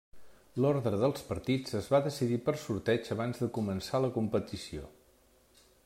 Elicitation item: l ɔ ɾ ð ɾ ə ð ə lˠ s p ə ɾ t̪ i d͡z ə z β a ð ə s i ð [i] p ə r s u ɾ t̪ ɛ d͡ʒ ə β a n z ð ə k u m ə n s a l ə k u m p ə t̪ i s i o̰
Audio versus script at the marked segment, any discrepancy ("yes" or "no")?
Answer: no